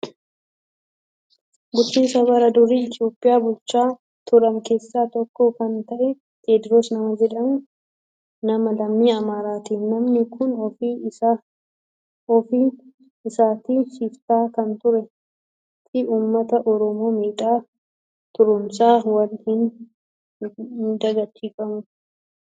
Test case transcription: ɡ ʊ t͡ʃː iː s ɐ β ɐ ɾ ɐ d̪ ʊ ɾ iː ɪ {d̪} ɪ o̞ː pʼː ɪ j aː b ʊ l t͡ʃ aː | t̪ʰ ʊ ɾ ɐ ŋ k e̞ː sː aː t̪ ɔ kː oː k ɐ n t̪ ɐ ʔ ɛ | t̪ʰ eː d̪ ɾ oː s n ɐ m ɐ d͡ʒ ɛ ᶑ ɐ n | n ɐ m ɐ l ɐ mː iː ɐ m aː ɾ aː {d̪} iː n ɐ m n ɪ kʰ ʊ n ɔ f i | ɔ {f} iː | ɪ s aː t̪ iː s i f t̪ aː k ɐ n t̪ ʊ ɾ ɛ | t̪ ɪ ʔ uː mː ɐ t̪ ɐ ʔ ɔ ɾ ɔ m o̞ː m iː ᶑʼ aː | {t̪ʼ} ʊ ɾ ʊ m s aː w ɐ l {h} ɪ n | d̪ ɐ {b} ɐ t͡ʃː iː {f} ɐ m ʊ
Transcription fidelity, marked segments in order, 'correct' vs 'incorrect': incorrect: t̪, incorrect: t̪, correct, incorrect: t̪, correct, incorrect: ɡ, correct

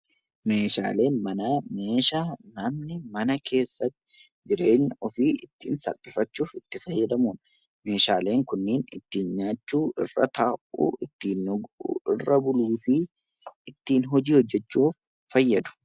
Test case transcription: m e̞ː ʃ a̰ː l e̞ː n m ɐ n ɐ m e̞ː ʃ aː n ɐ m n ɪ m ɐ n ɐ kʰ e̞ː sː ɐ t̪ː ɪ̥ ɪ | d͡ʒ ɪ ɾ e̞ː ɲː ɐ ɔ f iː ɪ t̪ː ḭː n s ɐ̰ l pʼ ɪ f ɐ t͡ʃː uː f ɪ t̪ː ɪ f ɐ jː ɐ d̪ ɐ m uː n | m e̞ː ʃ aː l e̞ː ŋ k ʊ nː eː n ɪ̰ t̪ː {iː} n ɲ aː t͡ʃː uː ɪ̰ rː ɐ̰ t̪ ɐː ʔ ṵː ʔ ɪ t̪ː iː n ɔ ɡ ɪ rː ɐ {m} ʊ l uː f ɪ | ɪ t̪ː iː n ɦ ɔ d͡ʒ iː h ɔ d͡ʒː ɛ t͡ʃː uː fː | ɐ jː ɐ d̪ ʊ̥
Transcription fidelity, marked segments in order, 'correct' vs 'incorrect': correct, incorrect: b

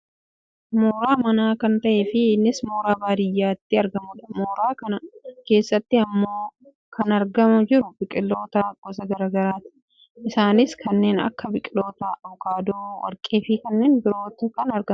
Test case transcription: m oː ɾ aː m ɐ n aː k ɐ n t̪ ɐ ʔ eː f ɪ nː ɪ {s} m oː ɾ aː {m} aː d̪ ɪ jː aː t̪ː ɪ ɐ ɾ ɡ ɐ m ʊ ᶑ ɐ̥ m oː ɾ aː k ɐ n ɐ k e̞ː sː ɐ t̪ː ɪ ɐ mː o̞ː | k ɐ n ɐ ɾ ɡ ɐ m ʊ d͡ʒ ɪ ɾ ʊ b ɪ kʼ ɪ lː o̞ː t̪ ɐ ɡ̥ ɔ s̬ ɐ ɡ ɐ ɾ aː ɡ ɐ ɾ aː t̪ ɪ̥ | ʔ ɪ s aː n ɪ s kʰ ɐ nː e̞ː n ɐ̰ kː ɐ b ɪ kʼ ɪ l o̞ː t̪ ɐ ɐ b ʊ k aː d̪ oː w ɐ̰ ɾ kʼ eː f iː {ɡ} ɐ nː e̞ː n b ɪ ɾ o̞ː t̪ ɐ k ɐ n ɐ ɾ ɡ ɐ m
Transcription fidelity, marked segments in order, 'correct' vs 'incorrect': correct, incorrect: b, incorrect: k

